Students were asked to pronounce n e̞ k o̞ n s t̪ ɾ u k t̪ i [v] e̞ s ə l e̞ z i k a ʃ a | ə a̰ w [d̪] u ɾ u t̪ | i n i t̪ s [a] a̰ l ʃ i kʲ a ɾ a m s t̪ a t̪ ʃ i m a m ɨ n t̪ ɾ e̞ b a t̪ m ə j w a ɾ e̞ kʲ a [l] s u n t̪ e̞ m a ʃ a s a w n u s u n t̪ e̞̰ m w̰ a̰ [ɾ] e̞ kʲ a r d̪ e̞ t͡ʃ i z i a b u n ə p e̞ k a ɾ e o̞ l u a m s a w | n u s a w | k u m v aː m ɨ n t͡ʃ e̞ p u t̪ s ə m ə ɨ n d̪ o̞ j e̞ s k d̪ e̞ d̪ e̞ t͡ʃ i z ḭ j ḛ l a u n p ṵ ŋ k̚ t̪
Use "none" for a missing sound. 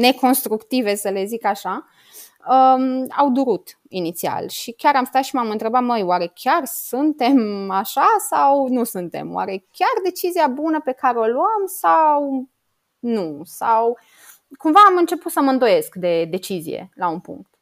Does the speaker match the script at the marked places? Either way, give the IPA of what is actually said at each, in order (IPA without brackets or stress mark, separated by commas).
v, d̪, i, r, ɾ